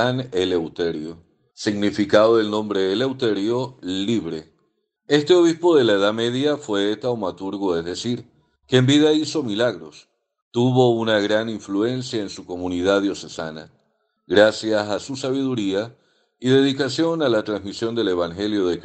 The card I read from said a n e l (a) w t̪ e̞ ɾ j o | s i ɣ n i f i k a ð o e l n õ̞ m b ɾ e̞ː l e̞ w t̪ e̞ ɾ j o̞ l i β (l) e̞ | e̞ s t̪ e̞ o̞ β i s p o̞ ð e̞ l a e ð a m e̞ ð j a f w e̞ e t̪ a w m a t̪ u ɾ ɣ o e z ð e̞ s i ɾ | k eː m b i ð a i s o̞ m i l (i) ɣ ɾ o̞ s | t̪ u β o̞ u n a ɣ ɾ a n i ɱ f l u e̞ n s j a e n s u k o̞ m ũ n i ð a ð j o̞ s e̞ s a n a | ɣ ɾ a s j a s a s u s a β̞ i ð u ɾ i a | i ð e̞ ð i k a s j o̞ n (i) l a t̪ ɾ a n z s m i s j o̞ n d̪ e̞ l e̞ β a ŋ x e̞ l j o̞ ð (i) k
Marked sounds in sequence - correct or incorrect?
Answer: incorrect, incorrect, incorrect, incorrect, incorrect

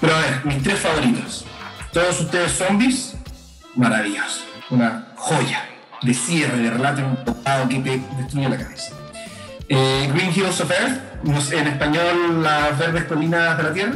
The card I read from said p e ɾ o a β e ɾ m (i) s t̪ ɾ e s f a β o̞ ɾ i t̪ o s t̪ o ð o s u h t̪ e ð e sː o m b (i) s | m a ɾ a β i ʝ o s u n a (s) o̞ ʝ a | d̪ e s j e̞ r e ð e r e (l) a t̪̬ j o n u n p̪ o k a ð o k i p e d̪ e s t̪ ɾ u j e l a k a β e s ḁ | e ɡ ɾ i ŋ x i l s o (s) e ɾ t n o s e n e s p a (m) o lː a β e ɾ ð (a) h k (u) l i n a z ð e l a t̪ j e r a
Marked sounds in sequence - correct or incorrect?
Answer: correct, correct, incorrect, correct, incorrect, incorrect, incorrect, incorrect

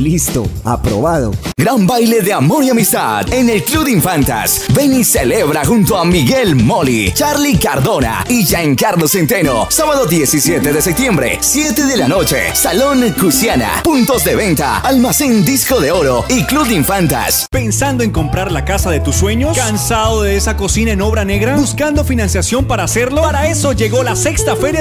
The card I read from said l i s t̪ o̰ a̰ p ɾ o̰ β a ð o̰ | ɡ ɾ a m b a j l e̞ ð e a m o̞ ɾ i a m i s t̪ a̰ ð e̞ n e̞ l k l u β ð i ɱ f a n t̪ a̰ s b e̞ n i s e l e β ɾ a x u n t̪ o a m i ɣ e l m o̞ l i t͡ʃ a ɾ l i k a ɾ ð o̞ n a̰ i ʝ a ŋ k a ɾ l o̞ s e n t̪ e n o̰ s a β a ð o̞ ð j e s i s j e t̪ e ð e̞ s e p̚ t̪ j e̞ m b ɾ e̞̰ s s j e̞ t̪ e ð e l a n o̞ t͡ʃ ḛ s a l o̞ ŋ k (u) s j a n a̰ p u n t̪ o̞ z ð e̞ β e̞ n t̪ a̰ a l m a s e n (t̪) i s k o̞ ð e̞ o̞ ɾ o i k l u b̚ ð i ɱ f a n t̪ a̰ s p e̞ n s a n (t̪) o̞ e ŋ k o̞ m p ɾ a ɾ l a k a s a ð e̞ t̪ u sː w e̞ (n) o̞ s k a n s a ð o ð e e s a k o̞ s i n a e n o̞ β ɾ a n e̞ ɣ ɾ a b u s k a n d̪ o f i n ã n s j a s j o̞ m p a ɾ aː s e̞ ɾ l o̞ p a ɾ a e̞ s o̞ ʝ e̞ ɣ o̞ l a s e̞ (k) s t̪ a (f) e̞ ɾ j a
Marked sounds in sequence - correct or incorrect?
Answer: correct, incorrect, incorrect, incorrect, correct, correct

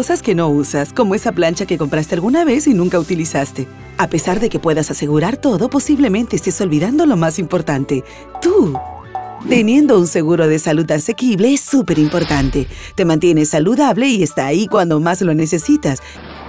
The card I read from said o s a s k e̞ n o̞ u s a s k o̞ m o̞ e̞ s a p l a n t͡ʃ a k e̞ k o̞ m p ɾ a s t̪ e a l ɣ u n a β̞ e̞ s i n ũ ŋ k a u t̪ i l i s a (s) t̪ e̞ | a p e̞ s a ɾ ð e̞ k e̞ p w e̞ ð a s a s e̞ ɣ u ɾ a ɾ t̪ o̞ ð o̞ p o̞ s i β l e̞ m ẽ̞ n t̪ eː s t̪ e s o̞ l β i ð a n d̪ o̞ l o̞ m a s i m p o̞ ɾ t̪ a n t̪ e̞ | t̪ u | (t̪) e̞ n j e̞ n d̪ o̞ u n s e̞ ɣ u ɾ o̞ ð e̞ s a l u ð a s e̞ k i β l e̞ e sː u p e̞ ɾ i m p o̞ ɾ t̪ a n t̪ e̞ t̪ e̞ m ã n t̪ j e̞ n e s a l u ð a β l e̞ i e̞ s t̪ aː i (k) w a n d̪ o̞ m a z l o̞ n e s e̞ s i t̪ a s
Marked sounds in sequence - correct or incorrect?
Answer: correct, correct, correct

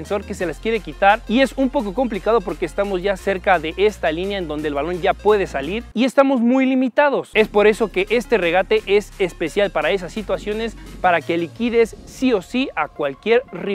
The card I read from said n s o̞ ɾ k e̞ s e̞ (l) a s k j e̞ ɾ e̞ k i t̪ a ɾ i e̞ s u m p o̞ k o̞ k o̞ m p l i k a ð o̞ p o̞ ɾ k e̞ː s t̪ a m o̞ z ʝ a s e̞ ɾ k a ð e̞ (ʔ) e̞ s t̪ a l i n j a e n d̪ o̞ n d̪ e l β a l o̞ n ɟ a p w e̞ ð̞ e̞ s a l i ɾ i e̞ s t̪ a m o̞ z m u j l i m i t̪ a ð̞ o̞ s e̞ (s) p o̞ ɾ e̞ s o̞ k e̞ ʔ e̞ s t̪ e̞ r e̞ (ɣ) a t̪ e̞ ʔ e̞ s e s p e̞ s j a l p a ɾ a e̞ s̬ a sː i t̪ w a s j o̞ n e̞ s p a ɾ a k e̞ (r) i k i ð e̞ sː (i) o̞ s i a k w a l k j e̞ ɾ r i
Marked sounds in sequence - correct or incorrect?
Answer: correct, correct, correct, correct, incorrect, correct

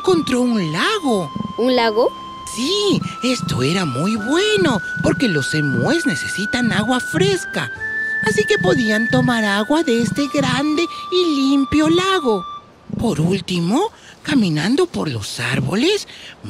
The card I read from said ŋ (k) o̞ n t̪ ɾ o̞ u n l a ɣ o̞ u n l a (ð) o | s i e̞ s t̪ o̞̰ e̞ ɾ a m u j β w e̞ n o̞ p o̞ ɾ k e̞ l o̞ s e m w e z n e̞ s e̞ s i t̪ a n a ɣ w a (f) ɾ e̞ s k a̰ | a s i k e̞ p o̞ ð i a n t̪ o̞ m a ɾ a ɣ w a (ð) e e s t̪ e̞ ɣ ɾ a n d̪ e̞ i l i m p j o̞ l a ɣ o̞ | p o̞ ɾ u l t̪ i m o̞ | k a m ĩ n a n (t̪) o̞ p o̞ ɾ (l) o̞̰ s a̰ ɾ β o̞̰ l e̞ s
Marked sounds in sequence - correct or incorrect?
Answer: correct, incorrect, correct, correct, incorrect, correct

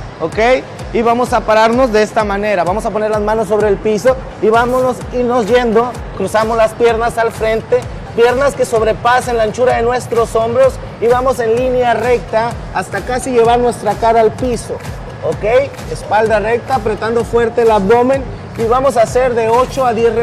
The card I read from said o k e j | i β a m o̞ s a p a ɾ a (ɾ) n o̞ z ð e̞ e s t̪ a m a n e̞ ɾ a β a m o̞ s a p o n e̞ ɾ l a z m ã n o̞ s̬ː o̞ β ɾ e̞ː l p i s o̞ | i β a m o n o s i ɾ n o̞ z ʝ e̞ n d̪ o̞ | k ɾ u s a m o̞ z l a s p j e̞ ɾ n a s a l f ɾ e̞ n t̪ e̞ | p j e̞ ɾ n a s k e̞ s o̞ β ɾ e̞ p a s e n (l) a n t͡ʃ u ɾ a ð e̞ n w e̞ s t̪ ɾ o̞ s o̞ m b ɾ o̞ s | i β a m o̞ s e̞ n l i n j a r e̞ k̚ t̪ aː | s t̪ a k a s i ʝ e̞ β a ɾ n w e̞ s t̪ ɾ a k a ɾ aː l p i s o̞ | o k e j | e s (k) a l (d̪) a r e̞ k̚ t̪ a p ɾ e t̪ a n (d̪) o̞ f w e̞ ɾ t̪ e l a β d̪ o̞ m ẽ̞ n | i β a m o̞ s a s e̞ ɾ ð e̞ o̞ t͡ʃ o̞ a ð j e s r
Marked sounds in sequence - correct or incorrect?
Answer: correct, correct, incorrect, correct, correct

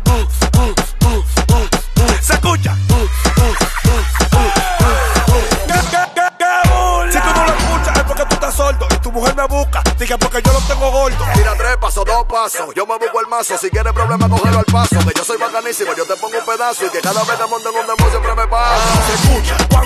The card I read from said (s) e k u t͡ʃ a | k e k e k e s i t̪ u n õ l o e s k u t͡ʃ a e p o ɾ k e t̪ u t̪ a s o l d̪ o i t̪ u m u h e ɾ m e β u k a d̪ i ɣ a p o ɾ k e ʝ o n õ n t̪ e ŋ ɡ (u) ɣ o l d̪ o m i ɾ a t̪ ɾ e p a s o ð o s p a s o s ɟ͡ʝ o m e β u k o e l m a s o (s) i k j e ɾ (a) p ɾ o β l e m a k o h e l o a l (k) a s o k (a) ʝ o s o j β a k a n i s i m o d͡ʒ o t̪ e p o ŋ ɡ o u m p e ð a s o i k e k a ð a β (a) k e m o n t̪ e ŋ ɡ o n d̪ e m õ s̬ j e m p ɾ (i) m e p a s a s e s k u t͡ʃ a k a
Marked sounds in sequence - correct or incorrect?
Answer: correct, incorrect, correct, incorrect, incorrect, incorrect, incorrect, incorrect

